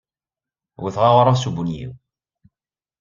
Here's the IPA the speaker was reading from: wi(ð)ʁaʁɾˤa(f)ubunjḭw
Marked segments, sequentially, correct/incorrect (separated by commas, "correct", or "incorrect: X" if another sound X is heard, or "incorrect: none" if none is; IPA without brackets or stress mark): incorrect: θ, incorrect: s